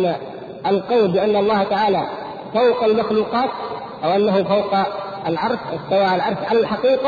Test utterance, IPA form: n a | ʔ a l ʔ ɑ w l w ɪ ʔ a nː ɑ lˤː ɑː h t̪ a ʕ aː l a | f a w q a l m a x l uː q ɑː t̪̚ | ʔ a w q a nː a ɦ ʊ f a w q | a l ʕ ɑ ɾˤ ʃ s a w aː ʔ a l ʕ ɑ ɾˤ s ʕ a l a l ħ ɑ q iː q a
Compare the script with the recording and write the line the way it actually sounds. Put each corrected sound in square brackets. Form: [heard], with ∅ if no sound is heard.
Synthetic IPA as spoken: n a | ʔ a l [q] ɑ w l [b] ɪ ʔ a nː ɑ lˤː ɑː h t̪ a ʕ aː l a | f a w q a l m a x l uː q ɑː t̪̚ | ʔ a w [ʔ] a nː a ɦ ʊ f a w q | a l ʕ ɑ ɾˤ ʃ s a w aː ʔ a l ʕ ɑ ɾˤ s ʕ a l a l ħ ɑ q iː q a